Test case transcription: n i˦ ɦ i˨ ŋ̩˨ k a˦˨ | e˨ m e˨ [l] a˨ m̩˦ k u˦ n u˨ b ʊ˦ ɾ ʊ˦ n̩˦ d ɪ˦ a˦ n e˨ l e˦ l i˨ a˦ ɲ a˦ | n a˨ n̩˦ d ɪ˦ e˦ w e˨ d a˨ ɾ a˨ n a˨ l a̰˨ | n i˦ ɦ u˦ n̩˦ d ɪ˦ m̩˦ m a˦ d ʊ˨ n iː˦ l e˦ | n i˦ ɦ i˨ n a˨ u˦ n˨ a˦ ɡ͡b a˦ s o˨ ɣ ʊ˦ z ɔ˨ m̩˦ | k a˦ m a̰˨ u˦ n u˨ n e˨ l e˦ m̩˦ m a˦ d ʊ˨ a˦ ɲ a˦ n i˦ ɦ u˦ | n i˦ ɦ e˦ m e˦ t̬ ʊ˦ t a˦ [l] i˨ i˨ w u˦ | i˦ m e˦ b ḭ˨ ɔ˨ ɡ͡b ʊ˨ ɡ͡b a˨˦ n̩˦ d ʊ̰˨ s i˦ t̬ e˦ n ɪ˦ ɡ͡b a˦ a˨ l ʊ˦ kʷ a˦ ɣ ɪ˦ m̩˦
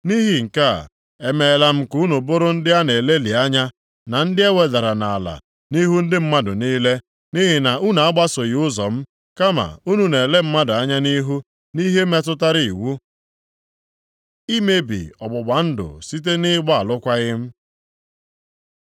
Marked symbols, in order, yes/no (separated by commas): yes, no